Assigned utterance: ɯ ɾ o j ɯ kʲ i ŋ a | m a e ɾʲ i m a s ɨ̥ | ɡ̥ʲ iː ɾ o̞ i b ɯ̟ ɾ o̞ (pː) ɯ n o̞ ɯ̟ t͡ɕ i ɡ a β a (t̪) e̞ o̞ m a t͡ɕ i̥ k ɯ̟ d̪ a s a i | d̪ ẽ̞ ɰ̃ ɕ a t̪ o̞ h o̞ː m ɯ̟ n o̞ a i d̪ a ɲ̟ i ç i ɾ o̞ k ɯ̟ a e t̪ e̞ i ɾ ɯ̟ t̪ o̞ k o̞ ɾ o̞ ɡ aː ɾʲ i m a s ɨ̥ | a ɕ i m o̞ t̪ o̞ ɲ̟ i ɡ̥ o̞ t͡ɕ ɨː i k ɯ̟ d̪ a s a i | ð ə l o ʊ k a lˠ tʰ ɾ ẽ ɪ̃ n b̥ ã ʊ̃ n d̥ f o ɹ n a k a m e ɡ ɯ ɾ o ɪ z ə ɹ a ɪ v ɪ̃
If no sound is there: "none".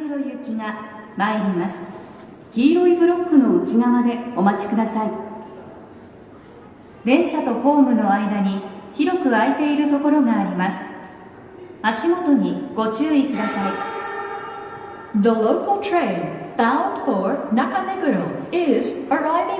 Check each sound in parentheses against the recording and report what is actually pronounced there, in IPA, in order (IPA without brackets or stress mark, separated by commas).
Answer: kː, d̪